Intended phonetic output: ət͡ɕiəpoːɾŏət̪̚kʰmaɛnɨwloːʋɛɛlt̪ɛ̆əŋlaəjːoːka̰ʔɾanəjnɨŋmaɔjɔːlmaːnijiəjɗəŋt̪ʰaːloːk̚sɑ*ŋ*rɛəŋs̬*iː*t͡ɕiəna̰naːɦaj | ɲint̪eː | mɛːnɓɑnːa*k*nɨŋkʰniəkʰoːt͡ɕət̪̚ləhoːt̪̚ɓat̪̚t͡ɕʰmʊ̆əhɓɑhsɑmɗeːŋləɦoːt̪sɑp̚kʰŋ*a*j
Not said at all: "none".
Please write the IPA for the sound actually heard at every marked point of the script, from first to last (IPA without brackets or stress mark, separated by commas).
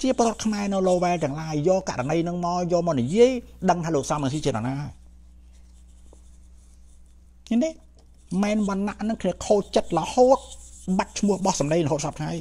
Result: m, iː, ʔ, a